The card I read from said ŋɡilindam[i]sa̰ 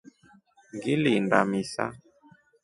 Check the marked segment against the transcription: correct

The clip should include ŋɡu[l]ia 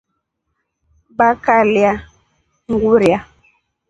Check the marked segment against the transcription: incorrect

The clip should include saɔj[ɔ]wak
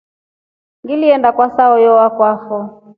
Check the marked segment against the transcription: correct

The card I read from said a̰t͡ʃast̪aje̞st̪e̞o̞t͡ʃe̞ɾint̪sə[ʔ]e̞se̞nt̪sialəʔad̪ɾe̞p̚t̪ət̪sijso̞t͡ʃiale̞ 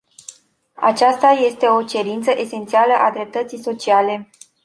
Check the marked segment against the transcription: correct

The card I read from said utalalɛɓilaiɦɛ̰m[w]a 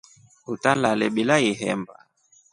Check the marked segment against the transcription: incorrect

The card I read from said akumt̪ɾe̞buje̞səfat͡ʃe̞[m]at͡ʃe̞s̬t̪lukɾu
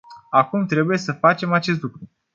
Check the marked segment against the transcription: correct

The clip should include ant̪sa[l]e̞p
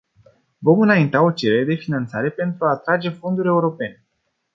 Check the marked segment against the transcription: incorrect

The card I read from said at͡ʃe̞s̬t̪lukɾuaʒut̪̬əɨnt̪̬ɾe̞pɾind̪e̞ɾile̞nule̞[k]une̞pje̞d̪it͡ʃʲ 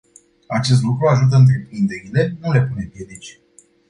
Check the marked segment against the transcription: incorrect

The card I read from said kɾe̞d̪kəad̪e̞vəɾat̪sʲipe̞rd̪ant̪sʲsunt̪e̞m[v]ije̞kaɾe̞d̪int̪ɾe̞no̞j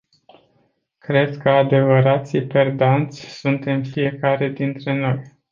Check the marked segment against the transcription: incorrect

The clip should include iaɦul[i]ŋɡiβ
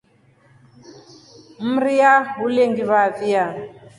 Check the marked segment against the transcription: incorrect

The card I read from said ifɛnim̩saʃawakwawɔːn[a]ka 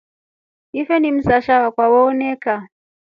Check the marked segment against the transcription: incorrect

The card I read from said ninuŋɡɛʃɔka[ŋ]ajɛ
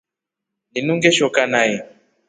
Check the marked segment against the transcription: incorrect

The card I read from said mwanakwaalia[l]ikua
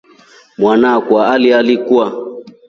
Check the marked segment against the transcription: correct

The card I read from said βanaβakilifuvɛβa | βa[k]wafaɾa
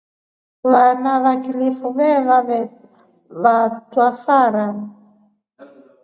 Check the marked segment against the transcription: incorrect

